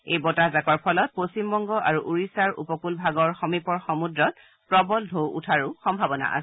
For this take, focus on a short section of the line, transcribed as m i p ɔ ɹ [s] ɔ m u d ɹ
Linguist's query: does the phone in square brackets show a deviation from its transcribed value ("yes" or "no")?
yes